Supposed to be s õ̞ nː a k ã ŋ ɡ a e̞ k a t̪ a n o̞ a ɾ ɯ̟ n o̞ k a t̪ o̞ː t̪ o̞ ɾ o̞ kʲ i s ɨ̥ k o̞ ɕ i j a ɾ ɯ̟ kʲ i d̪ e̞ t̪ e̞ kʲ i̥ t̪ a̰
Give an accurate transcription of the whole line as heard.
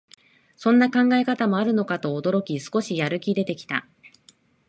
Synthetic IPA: s õ̞ nː a k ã ŋ ɡ a e̞ k a t̪ a m o̞ a ɾ ɯ̟ n o̞ k a t̪ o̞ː d̪ o̞ ɾ o̞ kʲ i s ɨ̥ k o̞ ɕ i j a ɾ ɯ̟ kʲ i d̪ e̞ t̪ e̞ kʲ i̥ t̪ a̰